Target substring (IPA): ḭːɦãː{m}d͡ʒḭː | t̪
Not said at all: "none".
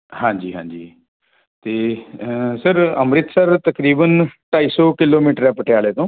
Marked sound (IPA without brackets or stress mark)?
ɲ